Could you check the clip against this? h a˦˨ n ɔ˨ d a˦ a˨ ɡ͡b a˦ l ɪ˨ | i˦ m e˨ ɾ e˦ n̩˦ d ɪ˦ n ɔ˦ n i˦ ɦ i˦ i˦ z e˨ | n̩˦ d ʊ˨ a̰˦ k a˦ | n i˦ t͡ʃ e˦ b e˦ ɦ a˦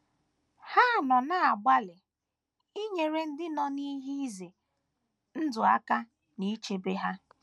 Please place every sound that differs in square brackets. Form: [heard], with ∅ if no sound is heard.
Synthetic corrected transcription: h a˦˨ n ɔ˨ [n] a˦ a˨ ɡ͡b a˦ l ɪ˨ | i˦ [ɲ] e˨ ɾ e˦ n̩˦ d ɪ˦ n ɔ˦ n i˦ ɦ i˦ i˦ z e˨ | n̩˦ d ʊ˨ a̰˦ k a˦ | n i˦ t͡ʃ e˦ b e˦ ɦ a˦